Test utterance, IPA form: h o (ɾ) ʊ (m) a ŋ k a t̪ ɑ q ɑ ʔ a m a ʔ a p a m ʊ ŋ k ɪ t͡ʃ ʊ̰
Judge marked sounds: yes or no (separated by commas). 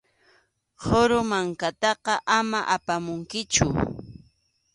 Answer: yes, yes